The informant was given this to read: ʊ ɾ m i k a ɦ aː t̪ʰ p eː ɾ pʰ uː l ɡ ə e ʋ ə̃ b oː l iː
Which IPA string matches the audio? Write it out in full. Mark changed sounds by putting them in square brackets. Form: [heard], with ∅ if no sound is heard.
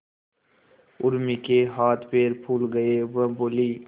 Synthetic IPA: ʊ ɾ m i k [e] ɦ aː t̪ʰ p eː ɾ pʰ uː l ɡ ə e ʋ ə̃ b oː l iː